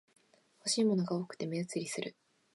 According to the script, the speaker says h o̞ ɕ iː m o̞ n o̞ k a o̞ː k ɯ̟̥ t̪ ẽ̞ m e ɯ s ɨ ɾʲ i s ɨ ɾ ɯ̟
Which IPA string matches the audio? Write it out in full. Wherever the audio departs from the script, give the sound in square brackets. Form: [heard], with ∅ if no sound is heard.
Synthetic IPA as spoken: h o̞ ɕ iː m o̞ n o̞ [ɡ] a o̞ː k ɯ̟̥ t̪ [e̞] m e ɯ [t͡s] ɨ ɾʲ i s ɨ ɾ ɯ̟